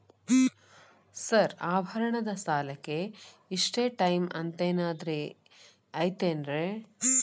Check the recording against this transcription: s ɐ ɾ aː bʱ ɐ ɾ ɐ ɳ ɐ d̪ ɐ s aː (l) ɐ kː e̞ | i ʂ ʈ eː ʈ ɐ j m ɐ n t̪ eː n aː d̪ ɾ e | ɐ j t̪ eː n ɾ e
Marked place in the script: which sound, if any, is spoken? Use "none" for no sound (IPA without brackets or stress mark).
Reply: l